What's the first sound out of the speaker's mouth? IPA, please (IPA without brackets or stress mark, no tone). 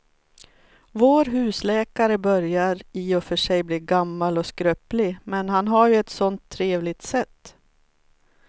v